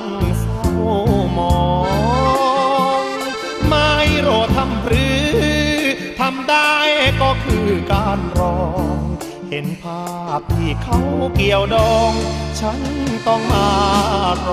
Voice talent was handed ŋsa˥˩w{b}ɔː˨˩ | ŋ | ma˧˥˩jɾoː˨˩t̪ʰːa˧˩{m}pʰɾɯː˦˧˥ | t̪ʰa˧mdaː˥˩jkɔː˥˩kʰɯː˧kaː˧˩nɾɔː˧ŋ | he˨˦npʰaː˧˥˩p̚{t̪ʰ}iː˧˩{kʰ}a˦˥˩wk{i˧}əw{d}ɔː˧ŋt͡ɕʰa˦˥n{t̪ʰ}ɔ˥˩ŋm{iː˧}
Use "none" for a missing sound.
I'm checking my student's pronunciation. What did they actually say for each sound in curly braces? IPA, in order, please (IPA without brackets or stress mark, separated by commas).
m, m, t̪ʰ, kʰ, i˨˩, d, t̪, aː˧